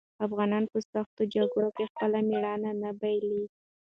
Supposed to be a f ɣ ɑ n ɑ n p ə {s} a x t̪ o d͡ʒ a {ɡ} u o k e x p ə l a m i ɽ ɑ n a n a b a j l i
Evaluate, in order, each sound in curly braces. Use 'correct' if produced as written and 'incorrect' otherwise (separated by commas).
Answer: correct, correct